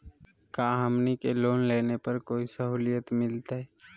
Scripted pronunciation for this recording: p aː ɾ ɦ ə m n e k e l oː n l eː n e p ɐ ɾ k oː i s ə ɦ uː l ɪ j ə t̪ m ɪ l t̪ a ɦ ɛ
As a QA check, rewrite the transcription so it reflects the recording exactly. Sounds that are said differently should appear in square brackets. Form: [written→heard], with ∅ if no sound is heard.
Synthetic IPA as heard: [p→k] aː [ɾ→∅] ɦ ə m n [e→i] k e l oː n l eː n e p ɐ ɾ k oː i s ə ɦ uː l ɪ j ə t̪ m ɪ l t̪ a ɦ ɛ